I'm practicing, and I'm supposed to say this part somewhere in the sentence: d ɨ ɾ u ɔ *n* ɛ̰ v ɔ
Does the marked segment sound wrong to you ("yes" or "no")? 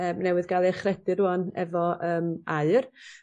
no